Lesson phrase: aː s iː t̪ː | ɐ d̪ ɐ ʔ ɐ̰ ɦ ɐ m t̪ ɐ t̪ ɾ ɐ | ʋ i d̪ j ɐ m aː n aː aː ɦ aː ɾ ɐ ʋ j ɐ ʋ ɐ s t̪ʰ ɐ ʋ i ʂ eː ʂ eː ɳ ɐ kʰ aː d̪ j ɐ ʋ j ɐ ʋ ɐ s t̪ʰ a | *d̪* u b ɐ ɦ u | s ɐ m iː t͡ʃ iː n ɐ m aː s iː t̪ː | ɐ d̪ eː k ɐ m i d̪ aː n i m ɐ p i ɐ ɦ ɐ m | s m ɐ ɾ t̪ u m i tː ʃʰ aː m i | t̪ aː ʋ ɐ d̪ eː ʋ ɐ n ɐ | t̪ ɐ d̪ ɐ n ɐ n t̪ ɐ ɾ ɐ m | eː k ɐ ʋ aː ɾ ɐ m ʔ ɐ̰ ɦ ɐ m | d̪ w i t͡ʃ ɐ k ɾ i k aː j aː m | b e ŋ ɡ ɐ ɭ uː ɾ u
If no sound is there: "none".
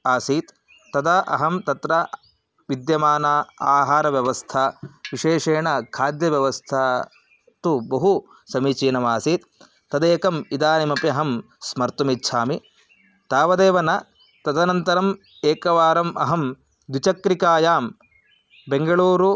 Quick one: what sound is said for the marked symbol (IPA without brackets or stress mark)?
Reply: t̪